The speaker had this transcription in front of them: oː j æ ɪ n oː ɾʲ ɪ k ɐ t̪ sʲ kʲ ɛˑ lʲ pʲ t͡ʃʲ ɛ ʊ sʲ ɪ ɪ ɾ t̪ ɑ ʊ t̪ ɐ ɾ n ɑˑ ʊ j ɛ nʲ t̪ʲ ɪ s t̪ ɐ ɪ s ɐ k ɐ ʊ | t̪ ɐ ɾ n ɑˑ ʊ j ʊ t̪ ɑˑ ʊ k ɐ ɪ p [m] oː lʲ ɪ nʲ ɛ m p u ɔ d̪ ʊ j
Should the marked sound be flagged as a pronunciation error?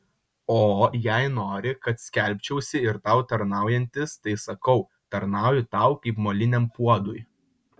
no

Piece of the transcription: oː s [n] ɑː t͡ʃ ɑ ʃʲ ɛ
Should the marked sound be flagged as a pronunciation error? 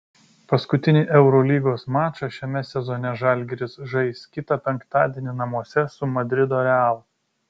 yes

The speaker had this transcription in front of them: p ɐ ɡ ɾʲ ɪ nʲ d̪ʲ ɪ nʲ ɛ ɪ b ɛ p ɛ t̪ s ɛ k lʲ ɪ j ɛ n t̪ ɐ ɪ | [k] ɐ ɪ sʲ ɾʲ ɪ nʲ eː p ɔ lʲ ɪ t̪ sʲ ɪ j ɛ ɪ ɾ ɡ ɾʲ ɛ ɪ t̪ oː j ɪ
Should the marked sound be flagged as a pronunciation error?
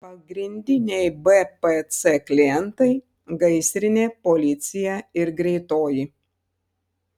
yes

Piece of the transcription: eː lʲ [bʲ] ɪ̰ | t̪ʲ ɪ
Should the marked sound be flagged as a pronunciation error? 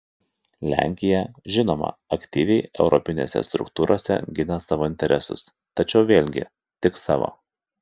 yes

